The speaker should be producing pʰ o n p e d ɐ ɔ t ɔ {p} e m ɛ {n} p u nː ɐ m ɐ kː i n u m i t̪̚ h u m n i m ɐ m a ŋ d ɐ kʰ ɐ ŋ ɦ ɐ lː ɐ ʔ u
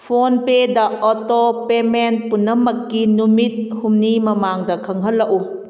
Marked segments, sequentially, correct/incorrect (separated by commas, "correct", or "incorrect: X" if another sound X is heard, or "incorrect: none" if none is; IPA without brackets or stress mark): correct, correct